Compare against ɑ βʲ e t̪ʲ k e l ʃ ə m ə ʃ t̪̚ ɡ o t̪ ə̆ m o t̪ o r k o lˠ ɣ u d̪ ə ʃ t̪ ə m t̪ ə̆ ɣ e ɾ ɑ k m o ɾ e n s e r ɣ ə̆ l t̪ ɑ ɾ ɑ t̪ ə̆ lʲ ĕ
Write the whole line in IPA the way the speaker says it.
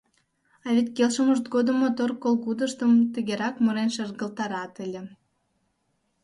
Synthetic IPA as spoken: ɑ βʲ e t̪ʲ k e l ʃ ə m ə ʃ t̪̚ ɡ o d̪ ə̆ m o t̪ o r k o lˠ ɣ u d̪ ə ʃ t̪ ə m t̪ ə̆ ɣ e ɾ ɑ k m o ɾ e n ʃ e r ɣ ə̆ l t̪ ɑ ɾ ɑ t̪ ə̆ lʲ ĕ